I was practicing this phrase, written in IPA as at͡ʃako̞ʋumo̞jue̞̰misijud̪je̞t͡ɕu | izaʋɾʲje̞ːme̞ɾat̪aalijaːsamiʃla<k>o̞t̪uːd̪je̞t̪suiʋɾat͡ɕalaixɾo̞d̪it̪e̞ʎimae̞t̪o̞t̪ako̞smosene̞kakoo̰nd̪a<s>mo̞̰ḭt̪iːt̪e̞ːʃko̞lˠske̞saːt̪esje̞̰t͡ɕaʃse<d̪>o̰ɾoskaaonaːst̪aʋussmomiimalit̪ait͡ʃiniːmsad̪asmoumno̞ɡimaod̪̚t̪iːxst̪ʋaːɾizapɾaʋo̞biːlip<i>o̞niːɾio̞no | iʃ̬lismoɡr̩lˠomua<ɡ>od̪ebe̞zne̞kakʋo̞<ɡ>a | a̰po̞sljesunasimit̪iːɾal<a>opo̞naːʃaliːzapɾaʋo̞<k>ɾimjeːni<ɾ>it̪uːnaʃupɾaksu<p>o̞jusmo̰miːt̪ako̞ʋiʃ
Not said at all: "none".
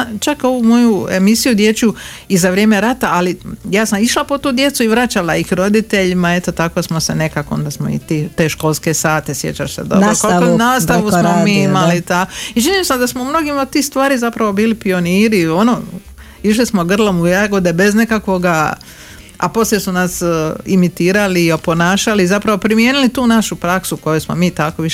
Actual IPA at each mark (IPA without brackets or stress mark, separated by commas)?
p, s, d̪, i, ɡ, ɡ, i, p, l, k